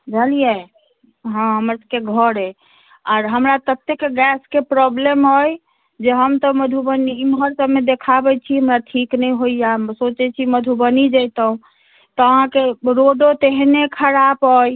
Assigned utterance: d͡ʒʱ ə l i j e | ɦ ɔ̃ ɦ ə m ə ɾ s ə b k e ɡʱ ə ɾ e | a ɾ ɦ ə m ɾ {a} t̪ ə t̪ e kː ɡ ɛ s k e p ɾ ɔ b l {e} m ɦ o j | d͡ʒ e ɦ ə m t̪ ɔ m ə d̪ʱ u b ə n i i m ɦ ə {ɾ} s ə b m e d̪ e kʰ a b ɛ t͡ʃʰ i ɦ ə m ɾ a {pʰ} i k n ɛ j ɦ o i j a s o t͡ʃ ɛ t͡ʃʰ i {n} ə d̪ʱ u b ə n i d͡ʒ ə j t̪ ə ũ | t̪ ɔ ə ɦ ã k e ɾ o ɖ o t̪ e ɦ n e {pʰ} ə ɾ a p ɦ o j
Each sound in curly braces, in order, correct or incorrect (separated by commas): correct, correct, correct, incorrect, incorrect, incorrect